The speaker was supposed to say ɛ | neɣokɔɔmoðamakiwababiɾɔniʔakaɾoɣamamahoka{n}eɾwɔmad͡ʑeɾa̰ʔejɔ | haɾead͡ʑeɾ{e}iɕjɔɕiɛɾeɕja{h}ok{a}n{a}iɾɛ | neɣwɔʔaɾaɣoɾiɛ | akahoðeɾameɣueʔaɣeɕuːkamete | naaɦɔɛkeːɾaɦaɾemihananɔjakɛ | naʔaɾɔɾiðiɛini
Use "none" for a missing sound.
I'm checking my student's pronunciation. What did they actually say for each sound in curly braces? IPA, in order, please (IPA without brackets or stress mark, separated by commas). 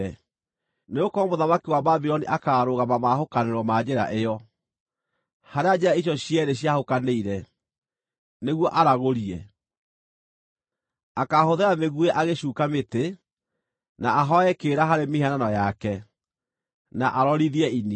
n, a, h, a, e